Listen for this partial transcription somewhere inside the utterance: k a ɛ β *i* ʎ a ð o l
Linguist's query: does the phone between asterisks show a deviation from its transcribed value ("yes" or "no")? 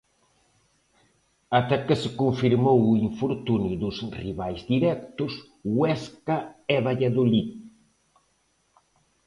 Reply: yes